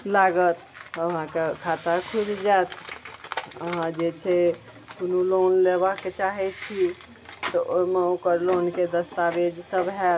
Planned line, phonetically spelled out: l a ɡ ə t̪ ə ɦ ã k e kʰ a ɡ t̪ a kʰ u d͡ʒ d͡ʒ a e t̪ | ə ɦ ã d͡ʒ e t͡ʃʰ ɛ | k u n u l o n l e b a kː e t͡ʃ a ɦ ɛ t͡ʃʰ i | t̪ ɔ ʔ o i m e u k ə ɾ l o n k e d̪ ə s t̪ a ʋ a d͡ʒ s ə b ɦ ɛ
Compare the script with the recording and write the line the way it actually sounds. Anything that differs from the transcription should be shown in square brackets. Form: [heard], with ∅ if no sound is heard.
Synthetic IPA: l a ɡ ə t̪ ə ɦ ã k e kʰ a [∅] t̪ a kʰ u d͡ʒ d͡ʒ a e t̪ | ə ɦ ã d͡ʒ e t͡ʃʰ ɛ | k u n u l o n l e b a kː e t͡ʃ a ɦ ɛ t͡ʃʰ i | t̪ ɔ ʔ o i m e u k ə ɾ l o n k e d̪ ə s t̪ a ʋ [e] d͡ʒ s ə b ɦ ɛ